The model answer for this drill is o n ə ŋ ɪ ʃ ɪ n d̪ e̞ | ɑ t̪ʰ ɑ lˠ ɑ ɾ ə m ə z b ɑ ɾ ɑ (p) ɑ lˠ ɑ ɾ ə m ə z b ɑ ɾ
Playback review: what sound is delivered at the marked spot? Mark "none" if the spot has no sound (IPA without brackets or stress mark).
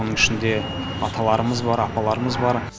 p